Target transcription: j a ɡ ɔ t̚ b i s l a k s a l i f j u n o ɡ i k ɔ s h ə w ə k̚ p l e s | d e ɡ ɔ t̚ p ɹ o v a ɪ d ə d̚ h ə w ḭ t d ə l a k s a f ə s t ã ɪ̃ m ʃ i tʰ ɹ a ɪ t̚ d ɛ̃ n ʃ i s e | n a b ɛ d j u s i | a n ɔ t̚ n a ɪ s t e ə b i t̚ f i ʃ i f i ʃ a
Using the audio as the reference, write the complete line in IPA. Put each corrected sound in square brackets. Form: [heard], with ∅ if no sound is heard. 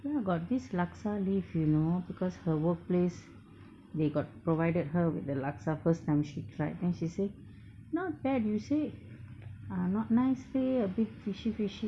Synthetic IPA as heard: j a ɡ ɔ t̚ [d] i s l a k s a l i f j u n o [b] i k ɔ s h ə w ə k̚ p l e s | d e ɡ ɔ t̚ p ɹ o v a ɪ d ə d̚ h ə w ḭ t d ə l a k s a f ə s t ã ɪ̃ m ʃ i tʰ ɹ a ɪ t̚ d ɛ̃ n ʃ i s e | n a b ɛ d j u s [e] | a n ɔ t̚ n a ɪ s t e ə b i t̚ f i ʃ i f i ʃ [i]